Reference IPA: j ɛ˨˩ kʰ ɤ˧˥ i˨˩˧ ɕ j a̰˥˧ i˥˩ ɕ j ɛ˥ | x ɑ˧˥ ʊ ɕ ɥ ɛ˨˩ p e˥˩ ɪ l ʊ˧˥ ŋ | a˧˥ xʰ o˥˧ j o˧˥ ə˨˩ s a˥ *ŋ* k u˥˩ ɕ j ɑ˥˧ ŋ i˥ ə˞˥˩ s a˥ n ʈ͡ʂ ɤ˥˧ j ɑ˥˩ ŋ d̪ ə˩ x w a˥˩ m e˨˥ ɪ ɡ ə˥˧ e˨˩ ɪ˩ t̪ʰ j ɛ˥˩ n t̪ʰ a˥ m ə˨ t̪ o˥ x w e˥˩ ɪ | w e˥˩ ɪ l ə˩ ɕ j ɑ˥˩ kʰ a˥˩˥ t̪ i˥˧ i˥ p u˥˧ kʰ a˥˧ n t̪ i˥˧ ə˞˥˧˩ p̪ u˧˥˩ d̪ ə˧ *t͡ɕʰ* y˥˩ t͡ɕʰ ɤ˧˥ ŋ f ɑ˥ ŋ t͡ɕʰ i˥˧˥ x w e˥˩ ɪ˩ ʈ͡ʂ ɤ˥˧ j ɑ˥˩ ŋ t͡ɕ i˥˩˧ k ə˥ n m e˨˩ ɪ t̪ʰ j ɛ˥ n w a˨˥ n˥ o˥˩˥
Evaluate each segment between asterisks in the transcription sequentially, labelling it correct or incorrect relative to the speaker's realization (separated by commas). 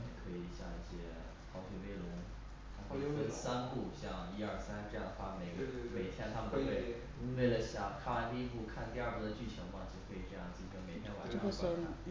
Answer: incorrect, incorrect